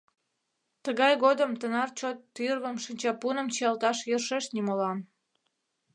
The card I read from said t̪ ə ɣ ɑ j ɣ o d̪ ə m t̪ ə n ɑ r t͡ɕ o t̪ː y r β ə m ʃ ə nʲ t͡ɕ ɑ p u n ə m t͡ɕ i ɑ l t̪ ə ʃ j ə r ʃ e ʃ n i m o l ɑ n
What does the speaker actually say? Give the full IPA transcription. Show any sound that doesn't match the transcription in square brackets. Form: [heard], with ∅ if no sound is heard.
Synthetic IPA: t̪ ə ɣ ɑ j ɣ o d̪ ə m t̪ ə n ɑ r t͡ɕ o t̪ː y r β ə m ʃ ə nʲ t͡ɕ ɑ p u n ə m t͡ɕ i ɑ l t̪ [ɑ] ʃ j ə r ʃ e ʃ n i m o l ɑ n

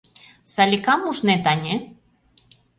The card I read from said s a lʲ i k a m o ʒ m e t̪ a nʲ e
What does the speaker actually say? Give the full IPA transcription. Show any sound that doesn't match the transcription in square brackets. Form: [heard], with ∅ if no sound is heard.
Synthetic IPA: s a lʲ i k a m [u] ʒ [n] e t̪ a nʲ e

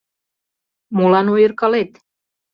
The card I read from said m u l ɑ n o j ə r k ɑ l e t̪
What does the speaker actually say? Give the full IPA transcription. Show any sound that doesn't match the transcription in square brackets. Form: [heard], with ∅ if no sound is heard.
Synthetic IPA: m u l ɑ n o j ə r k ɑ l e t̪

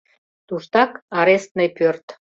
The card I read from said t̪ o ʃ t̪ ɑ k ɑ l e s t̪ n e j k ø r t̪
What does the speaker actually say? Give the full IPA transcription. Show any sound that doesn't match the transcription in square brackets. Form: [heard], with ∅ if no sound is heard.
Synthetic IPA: t̪ [u] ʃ t̪ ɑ k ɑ [ɾ] e s t̪ n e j [p] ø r t̪

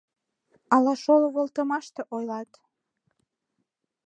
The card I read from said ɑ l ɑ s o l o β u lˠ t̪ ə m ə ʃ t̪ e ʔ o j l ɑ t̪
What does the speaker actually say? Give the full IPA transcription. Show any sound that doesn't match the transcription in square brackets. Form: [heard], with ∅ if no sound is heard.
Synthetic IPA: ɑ l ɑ [ʃ] o l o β [o] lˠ t̪ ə m [ɑ] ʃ t̪ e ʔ o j l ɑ t̪

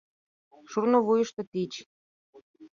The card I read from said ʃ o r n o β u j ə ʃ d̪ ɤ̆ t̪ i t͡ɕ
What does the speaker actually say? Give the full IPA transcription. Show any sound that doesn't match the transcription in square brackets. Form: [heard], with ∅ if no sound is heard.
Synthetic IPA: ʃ [u] r n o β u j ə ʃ [t̪] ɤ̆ t̪ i t͡ɕ

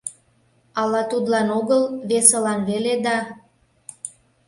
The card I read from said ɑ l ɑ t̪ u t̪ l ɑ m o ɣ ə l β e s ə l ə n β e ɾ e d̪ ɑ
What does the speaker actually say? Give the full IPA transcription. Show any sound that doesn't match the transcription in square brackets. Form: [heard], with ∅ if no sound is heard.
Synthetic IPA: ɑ l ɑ t̪ u [d̪] l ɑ [n] o ɣ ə l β e s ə l [ɑ] n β e [l] e d̪ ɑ

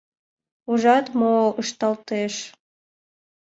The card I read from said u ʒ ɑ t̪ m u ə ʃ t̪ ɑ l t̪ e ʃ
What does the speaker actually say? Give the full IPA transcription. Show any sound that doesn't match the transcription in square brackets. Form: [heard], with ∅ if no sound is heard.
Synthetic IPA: u ʒ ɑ t̪ m [o] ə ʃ t̪ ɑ l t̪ e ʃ

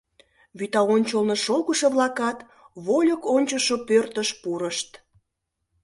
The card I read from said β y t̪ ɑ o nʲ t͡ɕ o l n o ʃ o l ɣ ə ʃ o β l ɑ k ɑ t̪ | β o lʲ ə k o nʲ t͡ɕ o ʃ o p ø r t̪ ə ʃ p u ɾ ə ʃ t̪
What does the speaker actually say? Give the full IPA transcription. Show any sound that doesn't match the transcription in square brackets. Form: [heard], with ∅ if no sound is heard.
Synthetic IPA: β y t̪ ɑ o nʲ t͡ɕ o l n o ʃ o l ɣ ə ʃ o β l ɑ k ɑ t̪ | β o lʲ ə k o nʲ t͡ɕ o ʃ o p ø r t̪ ə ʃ p u ɾ ə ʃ t̪

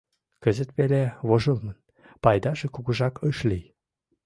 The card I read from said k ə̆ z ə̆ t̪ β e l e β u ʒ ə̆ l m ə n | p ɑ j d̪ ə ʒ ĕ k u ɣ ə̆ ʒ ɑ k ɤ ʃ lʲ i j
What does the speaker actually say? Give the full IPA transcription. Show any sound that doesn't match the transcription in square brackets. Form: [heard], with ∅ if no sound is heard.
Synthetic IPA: k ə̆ z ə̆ t̪ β e l e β [o] ʒ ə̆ l m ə n | p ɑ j d̪ [ɑ] ʒ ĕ k u ɣ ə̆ ʒ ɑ k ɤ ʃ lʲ i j

